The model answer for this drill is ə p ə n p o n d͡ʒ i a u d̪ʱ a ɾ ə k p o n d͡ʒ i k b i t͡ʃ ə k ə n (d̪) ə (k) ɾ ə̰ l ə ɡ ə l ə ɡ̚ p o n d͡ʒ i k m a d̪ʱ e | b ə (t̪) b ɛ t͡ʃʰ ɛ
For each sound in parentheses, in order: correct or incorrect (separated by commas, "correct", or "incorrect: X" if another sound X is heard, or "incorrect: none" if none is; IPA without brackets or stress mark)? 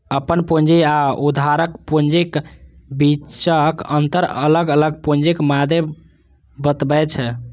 incorrect: t̪, incorrect: none, correct